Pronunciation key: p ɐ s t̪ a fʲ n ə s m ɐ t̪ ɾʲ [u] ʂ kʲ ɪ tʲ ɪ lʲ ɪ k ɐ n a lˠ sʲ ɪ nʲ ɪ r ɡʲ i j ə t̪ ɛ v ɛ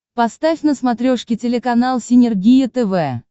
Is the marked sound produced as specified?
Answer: no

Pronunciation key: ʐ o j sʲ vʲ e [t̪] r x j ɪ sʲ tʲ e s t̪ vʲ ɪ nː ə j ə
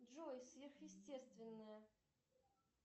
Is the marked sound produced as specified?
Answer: no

